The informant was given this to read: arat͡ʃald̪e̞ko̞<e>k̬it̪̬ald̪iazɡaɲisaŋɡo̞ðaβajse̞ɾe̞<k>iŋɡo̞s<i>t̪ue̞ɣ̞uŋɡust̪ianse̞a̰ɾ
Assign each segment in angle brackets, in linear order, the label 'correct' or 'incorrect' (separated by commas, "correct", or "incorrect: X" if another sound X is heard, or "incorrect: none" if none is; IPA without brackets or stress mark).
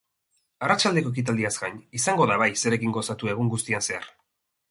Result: correct, correct, incorrect: a